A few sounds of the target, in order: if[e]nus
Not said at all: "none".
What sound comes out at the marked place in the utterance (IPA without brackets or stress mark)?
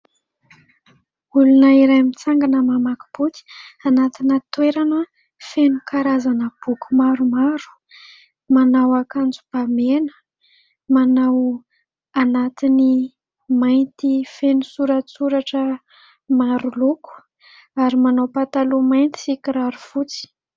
e